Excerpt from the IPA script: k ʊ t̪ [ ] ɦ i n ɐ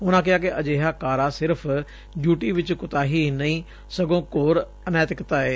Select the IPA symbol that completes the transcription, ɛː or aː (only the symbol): aː